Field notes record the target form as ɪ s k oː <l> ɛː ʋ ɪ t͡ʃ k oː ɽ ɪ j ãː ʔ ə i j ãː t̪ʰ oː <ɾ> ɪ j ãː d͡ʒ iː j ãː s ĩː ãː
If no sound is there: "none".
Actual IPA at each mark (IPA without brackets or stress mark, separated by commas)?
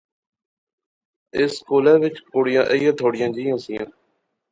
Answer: l, ɽ